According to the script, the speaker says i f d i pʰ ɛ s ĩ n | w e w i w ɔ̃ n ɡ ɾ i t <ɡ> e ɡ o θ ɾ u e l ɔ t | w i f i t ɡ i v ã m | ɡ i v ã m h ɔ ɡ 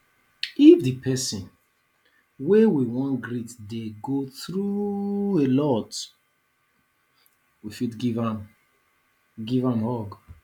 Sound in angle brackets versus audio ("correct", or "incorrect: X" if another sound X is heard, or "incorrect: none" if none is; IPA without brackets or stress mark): incorrect: d